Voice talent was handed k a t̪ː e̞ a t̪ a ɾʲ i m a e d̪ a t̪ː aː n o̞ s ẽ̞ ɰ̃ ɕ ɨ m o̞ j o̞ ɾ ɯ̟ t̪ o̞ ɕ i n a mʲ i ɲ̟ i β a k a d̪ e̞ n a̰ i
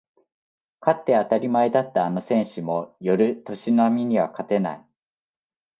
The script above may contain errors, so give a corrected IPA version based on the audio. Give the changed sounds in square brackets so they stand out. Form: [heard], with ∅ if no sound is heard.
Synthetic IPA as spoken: k a t̪ː e̞ a t̪ a ɾʲ i m a e d̪ a t̪ː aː n o̞ s ẽ̞ ɰ̃ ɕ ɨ m o̞ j o̞ ɾ ɯ̟ t̪ o̞ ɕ i n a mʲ i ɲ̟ i β a k a [t̪] e̞ n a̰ i